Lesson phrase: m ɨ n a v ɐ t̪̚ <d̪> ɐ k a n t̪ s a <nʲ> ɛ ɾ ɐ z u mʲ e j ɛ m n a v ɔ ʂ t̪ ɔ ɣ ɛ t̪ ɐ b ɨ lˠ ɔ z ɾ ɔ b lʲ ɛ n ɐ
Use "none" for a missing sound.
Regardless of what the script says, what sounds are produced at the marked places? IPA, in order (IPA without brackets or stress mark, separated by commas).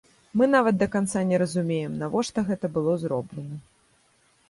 d̪, nʲ